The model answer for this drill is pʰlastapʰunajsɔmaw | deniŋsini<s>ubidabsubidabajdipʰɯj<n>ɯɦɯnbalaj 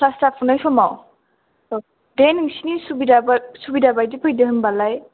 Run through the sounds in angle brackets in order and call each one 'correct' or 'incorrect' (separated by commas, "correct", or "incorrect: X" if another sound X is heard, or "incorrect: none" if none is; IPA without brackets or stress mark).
correct, incorrect: d